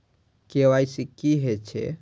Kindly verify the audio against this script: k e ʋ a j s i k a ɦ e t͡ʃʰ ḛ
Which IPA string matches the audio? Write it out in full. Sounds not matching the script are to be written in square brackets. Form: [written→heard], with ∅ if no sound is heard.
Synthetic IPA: k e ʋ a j s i k [a→i] ɦ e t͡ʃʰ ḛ